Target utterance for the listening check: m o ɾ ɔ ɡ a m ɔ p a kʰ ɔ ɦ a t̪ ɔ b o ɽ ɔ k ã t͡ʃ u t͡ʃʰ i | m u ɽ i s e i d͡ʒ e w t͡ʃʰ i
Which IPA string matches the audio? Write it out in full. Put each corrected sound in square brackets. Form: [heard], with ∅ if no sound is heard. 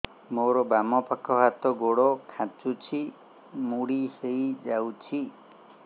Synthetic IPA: m o ɾ ɔ [b] a m ɔ p a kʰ ɔ ɦ a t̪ ɔ [ɡ] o ɽ ɔ [kʰ] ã t͡ʃ u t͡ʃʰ i | m u ɽ i s e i d͡ʒ [a] w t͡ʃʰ i